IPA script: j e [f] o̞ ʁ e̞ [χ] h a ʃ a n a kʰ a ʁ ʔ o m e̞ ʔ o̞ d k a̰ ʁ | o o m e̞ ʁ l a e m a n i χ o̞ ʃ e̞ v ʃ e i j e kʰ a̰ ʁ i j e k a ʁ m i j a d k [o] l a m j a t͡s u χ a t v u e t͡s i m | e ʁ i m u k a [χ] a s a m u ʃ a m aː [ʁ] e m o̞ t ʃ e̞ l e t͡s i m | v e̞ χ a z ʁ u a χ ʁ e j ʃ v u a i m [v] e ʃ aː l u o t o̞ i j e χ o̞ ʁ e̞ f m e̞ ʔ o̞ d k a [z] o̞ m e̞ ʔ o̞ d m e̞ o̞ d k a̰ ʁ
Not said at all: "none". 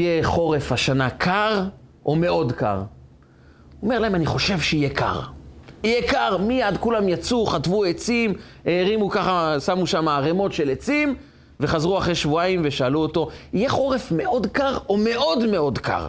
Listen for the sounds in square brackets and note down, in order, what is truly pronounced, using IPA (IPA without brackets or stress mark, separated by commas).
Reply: χ, f, u, χ, ʁ, v, ʁ